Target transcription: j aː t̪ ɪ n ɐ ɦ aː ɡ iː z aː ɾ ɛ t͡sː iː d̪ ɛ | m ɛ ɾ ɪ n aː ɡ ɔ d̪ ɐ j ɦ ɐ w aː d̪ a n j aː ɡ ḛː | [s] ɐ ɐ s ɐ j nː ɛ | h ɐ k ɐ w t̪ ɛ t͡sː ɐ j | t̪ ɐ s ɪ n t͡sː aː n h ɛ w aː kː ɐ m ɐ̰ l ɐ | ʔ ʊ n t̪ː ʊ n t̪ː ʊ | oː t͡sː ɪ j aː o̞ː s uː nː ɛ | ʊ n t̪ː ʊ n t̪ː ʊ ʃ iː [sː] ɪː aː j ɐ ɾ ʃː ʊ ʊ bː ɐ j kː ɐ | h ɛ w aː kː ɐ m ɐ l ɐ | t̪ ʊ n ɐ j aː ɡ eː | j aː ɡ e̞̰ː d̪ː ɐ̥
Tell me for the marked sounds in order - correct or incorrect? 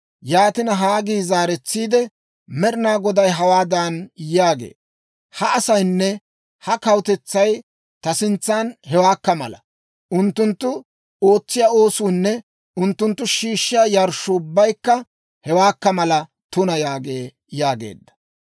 incorrect, incorrect

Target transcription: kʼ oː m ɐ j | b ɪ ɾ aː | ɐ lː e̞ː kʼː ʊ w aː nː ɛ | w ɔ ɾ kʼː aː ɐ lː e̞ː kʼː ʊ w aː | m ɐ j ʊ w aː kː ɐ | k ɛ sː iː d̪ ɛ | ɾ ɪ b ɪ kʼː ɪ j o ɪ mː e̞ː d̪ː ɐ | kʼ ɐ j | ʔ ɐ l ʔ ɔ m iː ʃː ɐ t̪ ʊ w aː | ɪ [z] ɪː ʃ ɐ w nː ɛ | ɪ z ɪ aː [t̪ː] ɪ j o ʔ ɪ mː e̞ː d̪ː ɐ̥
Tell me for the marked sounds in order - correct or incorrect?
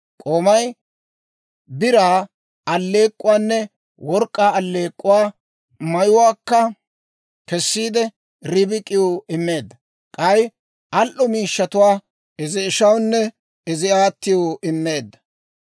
correct, correct

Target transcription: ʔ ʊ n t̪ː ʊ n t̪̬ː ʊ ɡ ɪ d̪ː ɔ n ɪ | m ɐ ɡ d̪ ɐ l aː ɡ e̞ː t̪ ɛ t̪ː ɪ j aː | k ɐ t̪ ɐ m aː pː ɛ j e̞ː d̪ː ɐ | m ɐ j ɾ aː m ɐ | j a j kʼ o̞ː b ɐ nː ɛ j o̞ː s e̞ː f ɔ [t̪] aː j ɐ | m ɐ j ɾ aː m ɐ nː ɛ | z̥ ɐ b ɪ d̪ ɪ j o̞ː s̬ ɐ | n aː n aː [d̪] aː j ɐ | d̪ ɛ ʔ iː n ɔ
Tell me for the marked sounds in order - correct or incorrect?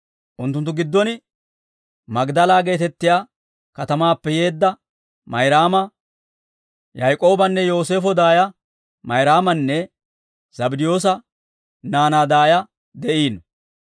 incorrect, correct

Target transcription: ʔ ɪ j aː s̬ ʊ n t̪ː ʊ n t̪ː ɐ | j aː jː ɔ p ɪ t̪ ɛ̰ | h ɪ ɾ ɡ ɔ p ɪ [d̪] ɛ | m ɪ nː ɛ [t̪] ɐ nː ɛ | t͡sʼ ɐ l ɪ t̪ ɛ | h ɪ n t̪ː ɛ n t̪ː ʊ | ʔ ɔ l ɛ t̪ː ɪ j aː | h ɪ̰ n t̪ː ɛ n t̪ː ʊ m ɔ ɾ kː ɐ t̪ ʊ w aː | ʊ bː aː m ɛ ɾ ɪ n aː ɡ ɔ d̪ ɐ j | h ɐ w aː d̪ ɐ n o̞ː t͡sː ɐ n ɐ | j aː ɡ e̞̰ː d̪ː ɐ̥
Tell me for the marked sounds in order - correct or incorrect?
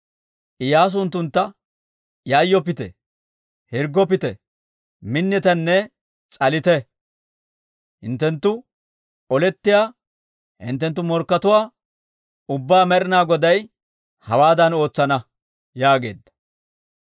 incorrect, correct

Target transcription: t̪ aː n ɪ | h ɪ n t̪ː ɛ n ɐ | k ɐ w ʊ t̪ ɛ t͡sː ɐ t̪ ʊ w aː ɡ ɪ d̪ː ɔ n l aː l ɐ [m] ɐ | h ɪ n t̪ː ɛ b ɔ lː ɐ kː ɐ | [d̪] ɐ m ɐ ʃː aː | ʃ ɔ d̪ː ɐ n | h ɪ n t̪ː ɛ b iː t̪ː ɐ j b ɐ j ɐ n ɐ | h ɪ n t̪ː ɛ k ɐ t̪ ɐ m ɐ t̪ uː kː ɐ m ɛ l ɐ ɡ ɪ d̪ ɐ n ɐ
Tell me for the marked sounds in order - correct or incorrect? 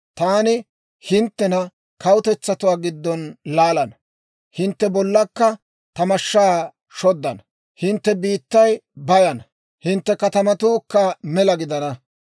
incorrect, incorrect

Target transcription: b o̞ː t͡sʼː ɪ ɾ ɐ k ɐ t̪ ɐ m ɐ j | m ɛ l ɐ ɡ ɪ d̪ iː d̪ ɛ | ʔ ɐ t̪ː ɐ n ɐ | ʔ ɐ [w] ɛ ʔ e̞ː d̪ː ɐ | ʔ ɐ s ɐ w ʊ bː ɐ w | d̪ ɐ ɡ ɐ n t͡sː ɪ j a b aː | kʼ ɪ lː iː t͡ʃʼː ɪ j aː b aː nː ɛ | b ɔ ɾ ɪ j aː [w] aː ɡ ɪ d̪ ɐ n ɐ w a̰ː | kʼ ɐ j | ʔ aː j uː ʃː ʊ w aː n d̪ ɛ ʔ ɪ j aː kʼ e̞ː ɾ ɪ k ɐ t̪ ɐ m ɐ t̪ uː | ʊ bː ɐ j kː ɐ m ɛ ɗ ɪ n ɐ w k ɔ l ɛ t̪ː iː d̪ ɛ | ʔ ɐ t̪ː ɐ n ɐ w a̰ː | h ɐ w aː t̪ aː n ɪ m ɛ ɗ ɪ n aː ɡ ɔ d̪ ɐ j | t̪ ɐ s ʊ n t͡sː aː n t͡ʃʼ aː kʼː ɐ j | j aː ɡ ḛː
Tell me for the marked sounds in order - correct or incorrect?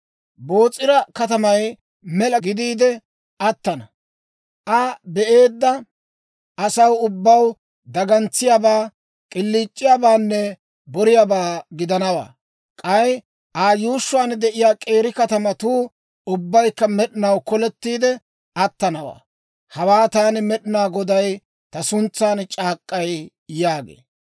incorrect, incorrect

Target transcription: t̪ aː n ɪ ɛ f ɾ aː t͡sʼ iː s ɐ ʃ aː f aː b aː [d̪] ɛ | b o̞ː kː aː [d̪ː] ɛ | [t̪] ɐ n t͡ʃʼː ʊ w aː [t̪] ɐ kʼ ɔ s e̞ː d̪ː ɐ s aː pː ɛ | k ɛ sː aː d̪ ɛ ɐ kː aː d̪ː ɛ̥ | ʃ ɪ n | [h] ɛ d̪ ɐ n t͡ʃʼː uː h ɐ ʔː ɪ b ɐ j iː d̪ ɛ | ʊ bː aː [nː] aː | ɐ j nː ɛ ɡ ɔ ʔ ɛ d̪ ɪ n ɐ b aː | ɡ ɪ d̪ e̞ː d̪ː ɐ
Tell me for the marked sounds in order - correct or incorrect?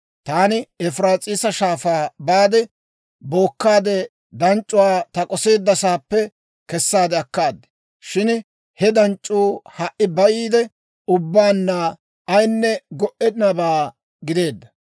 correct, incorrect, incorrect, correct, correct, correct

